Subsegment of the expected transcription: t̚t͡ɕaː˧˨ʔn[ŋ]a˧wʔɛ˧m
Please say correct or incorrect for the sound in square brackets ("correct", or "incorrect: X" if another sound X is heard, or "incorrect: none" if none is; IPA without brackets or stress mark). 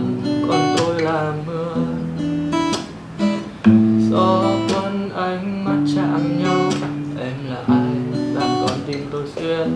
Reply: incorrect: ɲ